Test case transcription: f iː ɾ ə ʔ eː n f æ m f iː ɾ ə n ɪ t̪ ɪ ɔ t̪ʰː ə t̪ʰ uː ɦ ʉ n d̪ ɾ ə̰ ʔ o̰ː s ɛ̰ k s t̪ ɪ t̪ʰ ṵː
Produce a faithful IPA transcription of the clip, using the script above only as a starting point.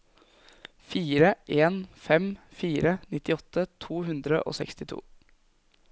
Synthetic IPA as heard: f iː ɾ ə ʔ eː n f ɛ m f iː ɾ ə n ɪ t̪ ɪ ɔ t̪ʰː ə t̪ʰ uː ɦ ʉ n d̪ ɾ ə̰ ʔ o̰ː s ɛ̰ k s t̪ ɪ t̪ʰ ṵː